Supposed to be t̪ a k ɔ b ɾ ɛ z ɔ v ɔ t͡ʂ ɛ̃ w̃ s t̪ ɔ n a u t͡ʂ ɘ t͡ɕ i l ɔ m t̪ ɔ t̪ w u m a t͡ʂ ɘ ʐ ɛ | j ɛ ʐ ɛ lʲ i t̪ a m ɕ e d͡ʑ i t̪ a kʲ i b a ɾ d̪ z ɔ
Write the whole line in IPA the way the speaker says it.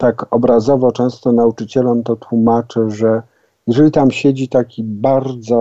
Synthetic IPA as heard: t̪ a k ɔ b ɾ a z ɔ v ɔ t͡ʂ ɛ̃ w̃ s t̪ ɔ n a u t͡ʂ ɘ t͡ɕ ɛ l ɔ m t̪ ɔ t̪ w u m a t͡ʂ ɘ ʐ ɛ | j ɛ ʐ ɛ lʲ i t̪ a m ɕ e d͡ʑ i t̪ a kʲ i b a ɾ d̪ z ɔ